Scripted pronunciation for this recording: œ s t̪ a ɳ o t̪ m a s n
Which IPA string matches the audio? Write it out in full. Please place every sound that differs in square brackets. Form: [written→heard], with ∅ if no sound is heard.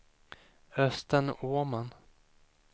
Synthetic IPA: œ s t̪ [a→ə] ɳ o [t̪→∅] m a [s→∅] n